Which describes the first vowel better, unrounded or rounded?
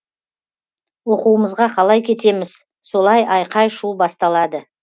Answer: rounded